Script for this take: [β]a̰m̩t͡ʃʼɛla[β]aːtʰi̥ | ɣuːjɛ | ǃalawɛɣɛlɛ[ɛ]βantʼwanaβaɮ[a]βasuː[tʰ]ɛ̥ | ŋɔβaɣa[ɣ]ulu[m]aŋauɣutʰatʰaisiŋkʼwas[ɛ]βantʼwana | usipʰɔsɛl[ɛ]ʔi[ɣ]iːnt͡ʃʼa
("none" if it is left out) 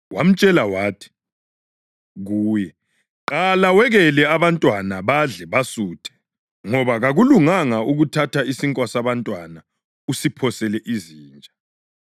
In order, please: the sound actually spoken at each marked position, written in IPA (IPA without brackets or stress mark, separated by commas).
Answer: w, w, a, ɛ, tʰ, ɣ, ŋ, a, ɛ, z